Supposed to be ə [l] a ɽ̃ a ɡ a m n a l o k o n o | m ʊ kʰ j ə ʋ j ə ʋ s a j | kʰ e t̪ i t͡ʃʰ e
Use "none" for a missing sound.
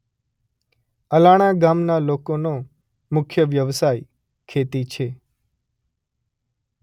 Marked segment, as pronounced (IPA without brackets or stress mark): l